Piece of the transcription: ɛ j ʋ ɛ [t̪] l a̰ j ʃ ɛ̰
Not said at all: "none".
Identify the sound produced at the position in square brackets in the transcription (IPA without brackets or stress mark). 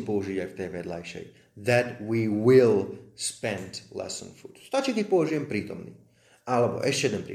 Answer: d̪